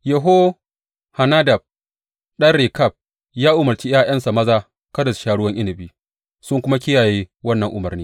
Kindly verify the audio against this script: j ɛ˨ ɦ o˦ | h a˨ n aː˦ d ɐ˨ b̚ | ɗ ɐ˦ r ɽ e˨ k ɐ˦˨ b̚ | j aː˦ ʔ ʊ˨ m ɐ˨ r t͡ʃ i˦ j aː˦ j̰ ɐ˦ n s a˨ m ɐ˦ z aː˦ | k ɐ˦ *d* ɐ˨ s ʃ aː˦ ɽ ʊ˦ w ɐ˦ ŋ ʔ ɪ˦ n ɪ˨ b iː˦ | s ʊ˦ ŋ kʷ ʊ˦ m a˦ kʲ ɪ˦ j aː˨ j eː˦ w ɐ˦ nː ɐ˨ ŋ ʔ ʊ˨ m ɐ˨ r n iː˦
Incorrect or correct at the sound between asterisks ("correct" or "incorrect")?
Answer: correct